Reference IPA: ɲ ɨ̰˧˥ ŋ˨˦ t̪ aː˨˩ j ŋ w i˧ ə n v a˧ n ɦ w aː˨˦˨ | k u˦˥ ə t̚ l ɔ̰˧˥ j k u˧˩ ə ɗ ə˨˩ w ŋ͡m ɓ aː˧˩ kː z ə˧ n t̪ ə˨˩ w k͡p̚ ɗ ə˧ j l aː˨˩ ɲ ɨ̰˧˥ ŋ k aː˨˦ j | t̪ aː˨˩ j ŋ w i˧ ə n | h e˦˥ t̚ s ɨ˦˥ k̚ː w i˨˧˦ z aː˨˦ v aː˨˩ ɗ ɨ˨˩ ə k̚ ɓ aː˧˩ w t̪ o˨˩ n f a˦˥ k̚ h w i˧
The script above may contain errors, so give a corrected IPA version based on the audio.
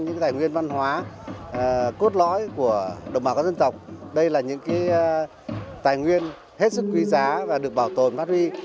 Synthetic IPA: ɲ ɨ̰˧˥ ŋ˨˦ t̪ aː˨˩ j ŋ w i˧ ə n v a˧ n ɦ w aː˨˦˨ | k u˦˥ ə t̚ l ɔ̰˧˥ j k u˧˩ ə ɗ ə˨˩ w ŋ͡m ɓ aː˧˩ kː z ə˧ n t̪ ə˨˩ w k͡p̚ ɗ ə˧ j l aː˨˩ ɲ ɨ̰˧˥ ŋ k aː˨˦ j | t̪ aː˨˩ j ŋ w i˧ ə n | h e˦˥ t̚ s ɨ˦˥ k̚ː w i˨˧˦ z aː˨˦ v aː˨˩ ɗ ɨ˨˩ ə k̚ ɓ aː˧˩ w t̪ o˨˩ n f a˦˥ t̚ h w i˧